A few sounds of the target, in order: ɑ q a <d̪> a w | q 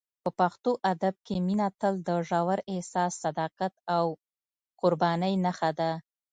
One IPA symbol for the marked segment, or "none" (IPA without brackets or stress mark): t̪